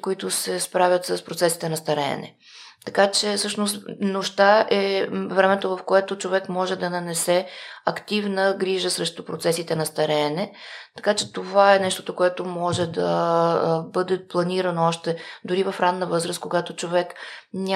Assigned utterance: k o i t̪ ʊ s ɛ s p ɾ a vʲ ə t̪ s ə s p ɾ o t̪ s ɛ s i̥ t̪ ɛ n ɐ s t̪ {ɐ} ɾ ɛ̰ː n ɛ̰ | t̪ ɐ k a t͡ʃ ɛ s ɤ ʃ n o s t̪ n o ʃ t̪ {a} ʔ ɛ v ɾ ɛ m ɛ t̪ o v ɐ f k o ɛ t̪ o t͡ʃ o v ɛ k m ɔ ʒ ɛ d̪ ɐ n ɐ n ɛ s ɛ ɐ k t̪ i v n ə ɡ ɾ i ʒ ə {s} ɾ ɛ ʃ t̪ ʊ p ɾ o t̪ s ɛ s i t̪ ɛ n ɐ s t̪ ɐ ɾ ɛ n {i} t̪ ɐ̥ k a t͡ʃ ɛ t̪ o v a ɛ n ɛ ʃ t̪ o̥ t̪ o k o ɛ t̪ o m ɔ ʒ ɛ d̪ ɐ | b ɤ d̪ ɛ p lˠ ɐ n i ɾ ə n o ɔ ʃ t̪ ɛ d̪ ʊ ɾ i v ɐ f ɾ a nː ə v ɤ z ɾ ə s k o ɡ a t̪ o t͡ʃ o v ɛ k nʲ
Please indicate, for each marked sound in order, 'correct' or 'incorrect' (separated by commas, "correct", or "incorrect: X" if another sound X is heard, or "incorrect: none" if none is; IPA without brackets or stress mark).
correct, correct, correct, incorrect: ɛ